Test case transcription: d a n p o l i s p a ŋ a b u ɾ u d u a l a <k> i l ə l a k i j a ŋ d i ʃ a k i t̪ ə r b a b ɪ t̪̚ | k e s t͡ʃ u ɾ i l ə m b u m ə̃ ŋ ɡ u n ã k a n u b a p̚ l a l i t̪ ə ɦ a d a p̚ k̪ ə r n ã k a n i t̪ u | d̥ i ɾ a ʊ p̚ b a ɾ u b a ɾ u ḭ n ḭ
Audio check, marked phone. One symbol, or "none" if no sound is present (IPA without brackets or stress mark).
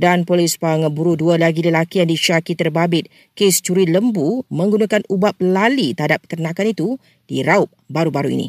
ɡ